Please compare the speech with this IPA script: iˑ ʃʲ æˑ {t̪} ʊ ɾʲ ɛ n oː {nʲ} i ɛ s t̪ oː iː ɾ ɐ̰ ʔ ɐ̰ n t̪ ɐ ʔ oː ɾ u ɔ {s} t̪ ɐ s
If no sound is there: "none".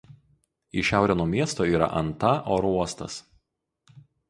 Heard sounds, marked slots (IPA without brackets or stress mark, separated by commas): none, mʲ, s